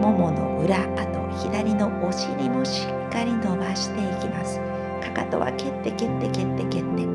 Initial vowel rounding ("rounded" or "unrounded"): rounded